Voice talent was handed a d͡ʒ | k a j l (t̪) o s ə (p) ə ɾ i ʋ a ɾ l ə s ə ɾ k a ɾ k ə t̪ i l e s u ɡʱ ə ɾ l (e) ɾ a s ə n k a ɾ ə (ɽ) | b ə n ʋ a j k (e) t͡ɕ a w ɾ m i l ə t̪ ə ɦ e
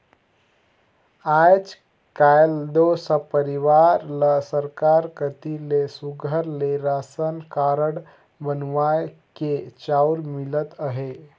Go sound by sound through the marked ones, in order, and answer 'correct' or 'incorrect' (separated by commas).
incorrect, correct, correct, correct, correct